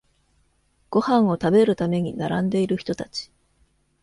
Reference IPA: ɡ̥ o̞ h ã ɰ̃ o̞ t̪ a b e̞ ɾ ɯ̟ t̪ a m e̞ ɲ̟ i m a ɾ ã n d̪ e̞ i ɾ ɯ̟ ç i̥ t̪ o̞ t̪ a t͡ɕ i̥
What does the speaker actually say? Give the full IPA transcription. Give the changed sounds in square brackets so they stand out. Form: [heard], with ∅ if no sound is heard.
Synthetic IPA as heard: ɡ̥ o̞ h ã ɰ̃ o̞ t̪ a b e̞ ɾ ɯ̟ t̪ a m e̞ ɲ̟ i [n] a ɾ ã n d̪ e̞ i ɾ ɯ̟ ç i̥ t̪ o̞ t̪ a t͡ɕ i̥